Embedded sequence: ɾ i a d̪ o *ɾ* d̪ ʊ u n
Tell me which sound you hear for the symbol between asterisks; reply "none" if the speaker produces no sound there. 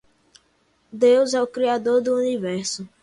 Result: ɾ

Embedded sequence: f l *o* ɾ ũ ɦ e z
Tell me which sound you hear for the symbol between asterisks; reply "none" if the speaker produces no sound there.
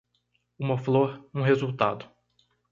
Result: o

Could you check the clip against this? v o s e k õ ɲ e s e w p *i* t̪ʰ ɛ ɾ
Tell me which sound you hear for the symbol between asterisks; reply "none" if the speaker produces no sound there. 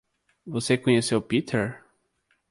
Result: i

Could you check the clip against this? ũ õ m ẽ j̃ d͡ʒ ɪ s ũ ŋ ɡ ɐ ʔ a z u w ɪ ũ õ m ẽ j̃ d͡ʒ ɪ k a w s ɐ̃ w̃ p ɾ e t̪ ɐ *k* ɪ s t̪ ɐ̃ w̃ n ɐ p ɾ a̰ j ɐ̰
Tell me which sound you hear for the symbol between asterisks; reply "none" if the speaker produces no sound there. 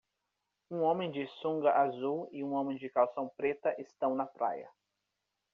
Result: ʔ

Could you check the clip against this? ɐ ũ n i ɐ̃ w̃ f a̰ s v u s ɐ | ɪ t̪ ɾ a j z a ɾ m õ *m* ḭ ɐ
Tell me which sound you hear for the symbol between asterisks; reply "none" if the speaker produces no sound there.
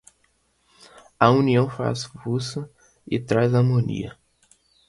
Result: n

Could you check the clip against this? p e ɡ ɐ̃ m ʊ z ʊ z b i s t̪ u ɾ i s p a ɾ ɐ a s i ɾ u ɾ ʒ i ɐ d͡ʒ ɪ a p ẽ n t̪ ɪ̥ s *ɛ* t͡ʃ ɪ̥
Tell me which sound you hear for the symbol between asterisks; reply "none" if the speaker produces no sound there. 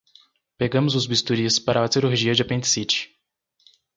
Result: i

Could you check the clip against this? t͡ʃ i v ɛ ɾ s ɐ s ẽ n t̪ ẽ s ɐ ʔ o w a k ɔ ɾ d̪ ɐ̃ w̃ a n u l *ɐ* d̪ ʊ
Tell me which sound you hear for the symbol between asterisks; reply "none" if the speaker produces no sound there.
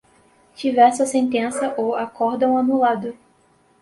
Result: a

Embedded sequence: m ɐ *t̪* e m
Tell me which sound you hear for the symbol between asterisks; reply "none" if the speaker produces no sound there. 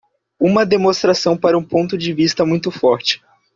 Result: d̪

